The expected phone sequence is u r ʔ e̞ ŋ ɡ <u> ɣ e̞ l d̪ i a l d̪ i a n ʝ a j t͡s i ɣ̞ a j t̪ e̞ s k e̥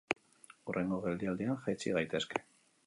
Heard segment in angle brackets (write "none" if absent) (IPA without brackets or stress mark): o